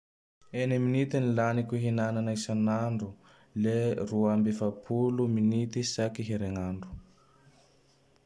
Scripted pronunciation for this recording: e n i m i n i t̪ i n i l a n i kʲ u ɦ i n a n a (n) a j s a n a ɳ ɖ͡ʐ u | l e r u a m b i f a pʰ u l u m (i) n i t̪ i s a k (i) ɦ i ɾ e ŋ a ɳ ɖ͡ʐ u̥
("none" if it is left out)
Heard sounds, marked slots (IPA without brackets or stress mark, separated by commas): n, i, i